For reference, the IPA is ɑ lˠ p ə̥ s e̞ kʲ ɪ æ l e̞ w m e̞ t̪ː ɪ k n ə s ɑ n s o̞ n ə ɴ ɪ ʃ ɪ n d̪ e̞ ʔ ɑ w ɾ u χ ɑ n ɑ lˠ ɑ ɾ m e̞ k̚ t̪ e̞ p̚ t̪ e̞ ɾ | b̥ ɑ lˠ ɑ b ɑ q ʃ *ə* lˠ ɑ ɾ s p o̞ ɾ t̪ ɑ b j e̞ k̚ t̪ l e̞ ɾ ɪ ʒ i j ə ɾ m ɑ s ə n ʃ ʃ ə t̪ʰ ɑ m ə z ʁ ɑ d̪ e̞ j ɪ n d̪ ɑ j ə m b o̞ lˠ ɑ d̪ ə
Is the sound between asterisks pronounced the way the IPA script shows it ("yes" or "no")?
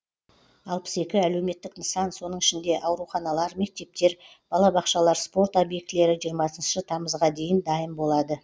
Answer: no